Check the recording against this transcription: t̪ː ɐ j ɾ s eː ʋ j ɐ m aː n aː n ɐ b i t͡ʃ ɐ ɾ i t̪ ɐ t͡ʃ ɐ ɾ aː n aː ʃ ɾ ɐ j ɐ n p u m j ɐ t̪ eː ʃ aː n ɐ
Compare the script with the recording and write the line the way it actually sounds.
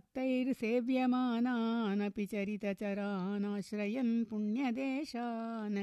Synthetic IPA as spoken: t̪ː ɐ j ɾ s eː ʋ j ɐ m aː n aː n ɐ p i t͡ʃ ɐ ɾ i t̪ ɐ t͡ʃ ɐ ɾ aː n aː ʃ ɾ ɐ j ɐ n p u ɳ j ɐ d̪ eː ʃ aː n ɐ